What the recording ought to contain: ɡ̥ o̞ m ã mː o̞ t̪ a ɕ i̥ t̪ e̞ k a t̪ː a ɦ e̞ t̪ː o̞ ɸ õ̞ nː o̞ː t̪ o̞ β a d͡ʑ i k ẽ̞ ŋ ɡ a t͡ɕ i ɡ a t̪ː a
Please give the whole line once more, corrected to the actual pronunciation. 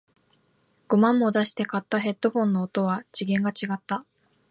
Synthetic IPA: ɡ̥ o̞ m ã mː o̞ d̪ a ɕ i̥ t̪ e̞ k a t̪ː a ɦ e̞ t̪ː o̞ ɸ õ̞ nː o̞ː t̪ o̞ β a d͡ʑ i ɡ ẽ̞ ŋ ɡ a t͡ɕ i ɡ a t̪ː a